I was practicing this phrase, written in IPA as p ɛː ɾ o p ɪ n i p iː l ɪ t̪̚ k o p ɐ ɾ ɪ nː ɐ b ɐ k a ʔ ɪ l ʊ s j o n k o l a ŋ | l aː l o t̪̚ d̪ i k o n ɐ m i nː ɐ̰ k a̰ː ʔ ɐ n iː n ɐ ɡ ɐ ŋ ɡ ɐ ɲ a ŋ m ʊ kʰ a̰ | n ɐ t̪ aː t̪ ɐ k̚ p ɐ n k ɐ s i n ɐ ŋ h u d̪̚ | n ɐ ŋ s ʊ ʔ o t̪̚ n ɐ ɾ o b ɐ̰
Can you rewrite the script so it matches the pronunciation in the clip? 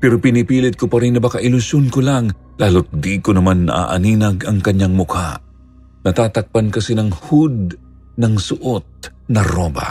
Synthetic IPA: p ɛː ɾ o p ɪ n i p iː l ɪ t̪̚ k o p ɐ ɾ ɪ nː ɐ b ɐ k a ʔ ɪ l ʊ s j o n k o l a ŋ | l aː l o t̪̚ d̪ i k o n ɐ m a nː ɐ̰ ʔ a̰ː ʔ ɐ n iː n ɐ ɡ ɐ ŋ k ɐ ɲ a ŋ m ʊ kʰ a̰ | n ɐ t̪ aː t̪ ɐ k̚ p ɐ n k ɐ s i n ɐ ŋ h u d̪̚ | n ɐ ŋ s ʊ ʔ o t̪̚ n ɐ ɾ o b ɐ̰